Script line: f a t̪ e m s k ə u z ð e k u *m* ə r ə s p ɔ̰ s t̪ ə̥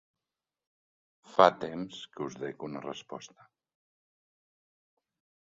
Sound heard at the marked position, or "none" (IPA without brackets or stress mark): n